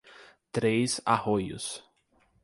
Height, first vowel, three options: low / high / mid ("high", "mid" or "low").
mid